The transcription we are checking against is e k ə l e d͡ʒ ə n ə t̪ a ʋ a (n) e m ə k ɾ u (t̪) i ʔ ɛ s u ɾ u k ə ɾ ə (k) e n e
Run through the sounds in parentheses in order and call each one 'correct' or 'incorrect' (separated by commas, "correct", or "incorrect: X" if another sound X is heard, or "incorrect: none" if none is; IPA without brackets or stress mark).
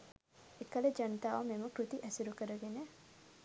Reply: incorrect: m, correct, incorrect: ɡ